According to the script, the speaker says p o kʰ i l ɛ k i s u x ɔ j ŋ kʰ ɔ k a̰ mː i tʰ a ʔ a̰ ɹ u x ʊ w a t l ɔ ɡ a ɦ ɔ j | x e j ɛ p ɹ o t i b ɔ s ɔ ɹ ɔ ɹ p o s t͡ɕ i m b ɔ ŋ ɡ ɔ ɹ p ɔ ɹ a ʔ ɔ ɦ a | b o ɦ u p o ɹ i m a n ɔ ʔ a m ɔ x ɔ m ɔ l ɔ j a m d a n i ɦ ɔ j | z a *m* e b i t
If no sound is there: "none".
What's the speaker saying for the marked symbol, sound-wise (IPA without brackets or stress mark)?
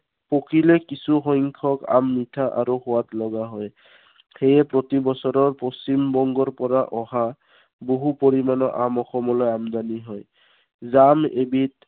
m